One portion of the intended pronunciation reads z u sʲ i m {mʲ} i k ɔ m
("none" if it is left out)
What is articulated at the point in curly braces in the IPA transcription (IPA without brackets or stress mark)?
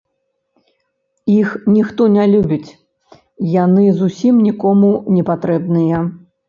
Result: nʲ